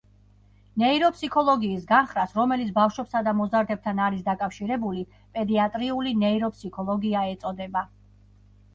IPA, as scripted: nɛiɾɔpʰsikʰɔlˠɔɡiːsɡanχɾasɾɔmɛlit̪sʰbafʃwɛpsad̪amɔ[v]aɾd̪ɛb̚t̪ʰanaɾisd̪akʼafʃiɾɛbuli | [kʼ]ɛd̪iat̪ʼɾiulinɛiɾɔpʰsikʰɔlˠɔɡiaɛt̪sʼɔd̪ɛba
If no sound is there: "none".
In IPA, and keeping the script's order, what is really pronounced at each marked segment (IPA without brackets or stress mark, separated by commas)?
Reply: z, pʼ